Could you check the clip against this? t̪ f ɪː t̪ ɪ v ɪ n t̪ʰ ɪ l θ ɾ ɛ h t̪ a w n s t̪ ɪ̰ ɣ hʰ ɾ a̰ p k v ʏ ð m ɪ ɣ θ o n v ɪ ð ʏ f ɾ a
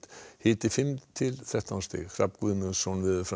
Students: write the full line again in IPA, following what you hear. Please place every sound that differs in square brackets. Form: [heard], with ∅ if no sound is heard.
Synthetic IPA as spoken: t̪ [h] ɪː t̪ ɪ [f] ɪ [m] t̪ʰ ɪ l θ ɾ ɛ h t̪ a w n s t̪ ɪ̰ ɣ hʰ ɾ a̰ p k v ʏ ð m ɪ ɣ [s] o n v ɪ ð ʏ f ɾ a